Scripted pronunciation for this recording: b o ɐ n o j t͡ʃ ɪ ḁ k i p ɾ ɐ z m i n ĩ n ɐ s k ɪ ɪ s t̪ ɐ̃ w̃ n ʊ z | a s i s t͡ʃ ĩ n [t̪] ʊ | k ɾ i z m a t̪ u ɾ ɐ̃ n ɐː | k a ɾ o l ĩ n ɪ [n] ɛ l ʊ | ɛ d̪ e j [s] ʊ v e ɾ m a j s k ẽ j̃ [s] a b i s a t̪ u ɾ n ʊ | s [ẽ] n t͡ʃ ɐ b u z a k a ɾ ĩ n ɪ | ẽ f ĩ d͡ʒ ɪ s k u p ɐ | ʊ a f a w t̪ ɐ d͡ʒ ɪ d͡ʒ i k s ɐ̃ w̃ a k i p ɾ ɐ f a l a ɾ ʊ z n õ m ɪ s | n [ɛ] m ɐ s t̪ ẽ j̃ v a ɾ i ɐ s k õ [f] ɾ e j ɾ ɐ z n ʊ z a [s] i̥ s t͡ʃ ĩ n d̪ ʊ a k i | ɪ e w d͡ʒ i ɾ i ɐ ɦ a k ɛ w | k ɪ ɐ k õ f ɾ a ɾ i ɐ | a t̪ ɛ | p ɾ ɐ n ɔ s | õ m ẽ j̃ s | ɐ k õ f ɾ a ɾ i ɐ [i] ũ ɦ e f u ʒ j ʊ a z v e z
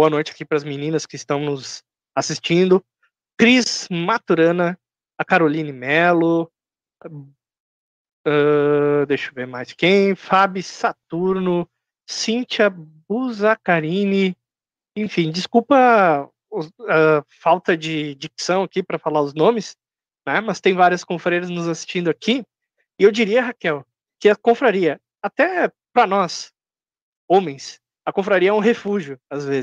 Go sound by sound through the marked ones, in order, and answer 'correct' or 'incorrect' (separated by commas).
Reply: incorrect, incorrect, incorrect, incorrect, incorrect, correct, correct, correct, incorrect